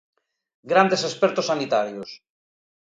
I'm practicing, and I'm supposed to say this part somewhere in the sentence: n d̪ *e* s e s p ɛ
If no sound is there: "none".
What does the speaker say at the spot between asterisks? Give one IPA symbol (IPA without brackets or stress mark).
e